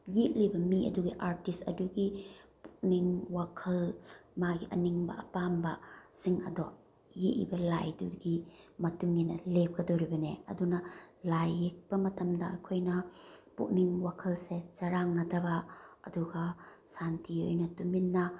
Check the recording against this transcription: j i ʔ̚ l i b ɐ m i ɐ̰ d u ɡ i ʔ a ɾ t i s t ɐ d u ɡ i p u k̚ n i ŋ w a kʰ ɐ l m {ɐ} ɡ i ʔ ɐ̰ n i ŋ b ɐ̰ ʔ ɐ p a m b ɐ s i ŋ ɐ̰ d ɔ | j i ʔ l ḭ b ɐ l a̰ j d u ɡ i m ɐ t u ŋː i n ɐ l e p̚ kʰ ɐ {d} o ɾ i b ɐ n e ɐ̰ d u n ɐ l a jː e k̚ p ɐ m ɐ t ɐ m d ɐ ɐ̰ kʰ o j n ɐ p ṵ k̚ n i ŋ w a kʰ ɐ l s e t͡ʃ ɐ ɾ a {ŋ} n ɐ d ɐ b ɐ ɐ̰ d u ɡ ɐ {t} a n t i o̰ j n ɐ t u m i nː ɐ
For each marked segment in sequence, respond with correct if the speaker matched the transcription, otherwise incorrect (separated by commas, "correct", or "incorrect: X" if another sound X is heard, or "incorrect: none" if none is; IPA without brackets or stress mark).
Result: incorrect: a, correct, correct, incorrect: s